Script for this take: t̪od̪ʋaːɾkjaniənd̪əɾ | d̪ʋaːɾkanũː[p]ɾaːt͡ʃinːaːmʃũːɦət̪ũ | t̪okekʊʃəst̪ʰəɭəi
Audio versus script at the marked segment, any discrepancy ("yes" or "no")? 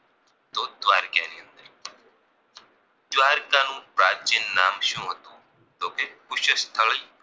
no